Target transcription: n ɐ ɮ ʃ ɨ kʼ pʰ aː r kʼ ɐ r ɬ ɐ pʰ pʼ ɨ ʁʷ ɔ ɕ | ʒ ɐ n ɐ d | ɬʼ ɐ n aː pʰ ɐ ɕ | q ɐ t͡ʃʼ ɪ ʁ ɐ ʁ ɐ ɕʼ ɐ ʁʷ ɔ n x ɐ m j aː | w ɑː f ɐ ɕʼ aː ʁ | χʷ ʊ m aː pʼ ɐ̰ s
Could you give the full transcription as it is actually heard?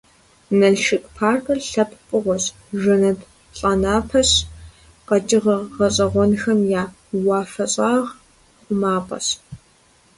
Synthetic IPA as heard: n ɐ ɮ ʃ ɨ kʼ pʰ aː r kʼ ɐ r ɬ ɐ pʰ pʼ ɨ ʁʷ ɔ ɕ | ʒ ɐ n ɐ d | ɬʼ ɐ n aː pʰ ɐ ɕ | q ɐ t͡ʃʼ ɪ ʁ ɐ ʁ ɐ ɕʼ ɐ ʁʷ ɔ n x ɐ m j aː | w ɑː f ɐ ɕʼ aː ʁ | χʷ ʊ m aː pʼ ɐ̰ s